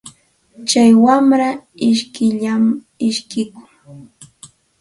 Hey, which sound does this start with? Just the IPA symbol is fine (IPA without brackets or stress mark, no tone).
t͡ʃ